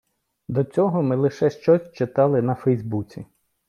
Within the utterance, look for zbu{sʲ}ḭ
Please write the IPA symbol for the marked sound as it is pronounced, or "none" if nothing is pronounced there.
t͡sʲ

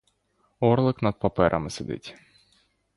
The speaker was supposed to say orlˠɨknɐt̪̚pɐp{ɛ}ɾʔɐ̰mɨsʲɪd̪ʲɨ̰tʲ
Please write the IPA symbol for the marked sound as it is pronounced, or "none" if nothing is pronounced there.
ɛ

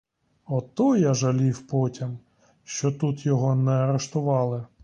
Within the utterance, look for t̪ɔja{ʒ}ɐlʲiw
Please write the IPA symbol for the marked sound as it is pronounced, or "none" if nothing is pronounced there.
ʒ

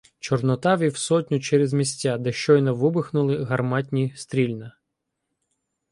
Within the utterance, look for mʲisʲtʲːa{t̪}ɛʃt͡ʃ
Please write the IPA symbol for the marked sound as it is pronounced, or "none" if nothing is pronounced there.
d̪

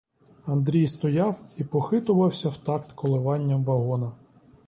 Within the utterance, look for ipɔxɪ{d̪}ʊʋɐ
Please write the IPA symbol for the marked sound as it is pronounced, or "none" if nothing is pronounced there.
t̪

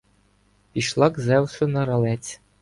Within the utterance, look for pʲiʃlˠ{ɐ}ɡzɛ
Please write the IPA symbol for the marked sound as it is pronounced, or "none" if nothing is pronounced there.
ɑ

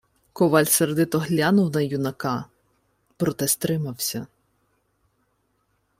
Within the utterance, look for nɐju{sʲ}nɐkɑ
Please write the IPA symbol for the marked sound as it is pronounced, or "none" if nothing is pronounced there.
none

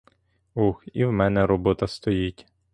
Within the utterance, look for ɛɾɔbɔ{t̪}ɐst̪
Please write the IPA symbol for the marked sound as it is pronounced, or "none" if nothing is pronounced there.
t̪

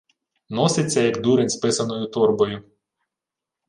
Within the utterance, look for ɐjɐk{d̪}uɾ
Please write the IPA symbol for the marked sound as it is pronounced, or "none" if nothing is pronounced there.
d̪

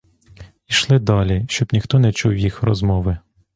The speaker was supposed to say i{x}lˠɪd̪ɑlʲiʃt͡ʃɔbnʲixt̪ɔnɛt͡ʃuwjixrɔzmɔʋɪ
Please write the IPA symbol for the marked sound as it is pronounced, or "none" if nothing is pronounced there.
ʃ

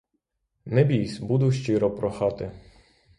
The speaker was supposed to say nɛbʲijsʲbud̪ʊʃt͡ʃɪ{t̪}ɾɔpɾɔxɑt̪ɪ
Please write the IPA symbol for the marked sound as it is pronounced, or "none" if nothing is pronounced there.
none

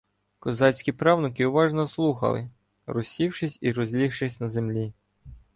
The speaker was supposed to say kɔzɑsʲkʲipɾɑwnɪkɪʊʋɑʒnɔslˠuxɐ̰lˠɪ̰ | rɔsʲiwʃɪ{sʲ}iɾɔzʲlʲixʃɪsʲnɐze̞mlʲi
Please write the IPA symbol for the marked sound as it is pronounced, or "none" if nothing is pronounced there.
sʲ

